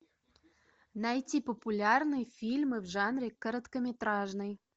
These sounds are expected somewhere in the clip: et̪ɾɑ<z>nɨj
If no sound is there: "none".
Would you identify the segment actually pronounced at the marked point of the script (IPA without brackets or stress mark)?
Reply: ʒ